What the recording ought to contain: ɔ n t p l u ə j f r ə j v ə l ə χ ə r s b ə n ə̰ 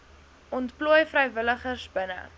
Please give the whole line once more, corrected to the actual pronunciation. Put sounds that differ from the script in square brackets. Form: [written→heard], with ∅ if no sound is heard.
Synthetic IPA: ɔ n t p l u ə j f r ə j v ə l ə χ ə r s b ə n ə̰

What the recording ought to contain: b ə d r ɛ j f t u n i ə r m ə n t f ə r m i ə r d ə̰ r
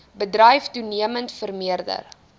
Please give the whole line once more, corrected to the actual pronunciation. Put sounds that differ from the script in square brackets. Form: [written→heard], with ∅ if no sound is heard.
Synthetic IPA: b ə d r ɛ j f t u n i ə [r→∅] m ə n t f ə r m i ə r d ə̰ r

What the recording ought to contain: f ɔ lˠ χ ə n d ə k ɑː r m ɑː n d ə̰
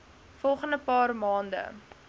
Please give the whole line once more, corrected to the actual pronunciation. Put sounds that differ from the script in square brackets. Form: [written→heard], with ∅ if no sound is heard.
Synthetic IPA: f ɔ lˠ χ ə n d ə [k→p] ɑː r m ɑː n d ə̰

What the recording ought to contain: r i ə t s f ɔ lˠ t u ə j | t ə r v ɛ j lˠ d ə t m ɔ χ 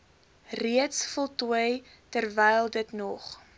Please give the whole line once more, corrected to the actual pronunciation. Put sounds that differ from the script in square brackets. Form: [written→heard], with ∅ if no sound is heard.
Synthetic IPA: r i ə t s f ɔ lˠ t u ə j | t ə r v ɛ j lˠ d ə t [m→n] ɔ χ

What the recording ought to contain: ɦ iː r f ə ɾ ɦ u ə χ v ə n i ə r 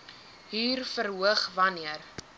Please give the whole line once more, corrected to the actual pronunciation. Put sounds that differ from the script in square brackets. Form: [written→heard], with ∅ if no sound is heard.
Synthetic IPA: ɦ iː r f ə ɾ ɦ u ə χ v [ə→ɐ] n i ə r

